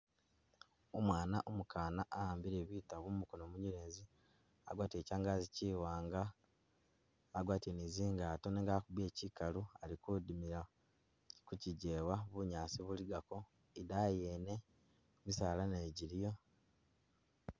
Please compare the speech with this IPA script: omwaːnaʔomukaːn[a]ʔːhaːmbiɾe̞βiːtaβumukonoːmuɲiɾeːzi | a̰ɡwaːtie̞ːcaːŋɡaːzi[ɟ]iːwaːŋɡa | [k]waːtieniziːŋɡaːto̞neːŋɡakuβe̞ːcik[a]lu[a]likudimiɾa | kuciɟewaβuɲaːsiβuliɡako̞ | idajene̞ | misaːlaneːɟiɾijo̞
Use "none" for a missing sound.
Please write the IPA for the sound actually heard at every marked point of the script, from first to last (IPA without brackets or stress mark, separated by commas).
a, c, ɡ, a, a